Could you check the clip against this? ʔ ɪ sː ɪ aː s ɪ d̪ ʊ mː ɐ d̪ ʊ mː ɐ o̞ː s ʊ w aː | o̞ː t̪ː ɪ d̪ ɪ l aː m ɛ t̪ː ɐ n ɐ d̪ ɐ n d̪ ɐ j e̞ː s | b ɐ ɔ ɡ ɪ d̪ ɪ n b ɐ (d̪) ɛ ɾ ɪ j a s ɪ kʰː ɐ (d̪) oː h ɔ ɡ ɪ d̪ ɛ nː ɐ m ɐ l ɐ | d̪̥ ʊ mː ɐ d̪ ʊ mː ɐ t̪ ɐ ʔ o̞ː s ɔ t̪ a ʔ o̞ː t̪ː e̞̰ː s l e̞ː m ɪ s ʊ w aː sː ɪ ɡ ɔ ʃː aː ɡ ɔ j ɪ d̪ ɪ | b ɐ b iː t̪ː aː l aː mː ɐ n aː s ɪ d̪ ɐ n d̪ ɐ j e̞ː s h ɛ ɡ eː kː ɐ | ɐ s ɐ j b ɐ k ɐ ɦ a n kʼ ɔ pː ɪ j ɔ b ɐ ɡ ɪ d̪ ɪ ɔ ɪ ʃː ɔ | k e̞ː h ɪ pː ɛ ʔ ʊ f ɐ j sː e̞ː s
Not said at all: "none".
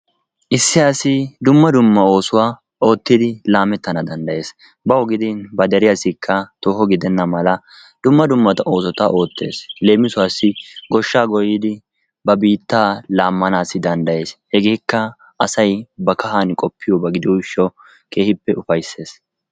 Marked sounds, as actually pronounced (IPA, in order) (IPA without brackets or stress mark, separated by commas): d̪, t̪